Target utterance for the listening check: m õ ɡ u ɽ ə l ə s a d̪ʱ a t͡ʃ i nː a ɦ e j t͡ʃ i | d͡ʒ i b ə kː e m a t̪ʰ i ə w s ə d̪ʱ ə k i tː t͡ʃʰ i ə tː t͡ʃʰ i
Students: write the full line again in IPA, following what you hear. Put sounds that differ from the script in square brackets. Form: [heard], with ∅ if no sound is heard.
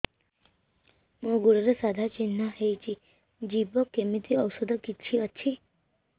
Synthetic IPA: m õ ɡ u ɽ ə [ɾ] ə s a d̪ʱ a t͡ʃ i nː a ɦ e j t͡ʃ i | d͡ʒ i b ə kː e m [i] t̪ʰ i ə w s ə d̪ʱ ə k i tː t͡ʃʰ i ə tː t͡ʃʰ i